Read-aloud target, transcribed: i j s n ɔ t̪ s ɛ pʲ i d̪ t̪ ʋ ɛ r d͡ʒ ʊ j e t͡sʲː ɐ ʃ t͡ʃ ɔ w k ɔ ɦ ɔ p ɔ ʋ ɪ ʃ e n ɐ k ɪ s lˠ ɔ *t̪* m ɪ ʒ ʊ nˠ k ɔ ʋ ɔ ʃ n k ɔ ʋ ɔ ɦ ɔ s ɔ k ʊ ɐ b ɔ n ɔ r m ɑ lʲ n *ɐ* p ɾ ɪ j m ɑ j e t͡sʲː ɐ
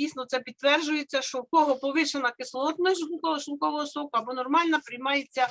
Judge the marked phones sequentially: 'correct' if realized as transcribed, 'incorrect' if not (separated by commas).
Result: correct, correct